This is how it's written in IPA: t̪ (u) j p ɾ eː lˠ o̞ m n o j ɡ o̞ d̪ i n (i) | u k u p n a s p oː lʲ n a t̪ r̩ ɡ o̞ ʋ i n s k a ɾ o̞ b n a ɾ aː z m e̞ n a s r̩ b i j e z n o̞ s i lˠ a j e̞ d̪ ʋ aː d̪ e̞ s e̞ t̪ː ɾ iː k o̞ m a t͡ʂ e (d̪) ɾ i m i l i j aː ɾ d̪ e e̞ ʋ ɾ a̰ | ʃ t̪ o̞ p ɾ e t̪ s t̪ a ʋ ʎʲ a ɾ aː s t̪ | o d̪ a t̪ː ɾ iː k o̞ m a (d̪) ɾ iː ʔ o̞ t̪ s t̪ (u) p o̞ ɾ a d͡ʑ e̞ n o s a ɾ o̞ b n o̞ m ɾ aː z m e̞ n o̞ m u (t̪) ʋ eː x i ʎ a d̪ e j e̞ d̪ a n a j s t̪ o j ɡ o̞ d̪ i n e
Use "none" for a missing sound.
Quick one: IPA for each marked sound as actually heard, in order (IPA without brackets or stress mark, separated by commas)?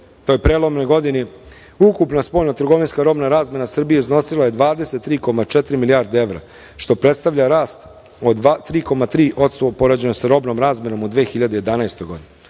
o, i, t̪, t̪, o, d̪